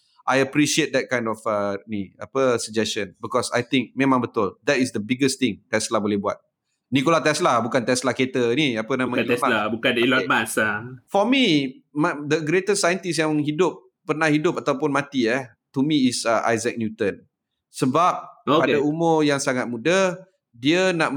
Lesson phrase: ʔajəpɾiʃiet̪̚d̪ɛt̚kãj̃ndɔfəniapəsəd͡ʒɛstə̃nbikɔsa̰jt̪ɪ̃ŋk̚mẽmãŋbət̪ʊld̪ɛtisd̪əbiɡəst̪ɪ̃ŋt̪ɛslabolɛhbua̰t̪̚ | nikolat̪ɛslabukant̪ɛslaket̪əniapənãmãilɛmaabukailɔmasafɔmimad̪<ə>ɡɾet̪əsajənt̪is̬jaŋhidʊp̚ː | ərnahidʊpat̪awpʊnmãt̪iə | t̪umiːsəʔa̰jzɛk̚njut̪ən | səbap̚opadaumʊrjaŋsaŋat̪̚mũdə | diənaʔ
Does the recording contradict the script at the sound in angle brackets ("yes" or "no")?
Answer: no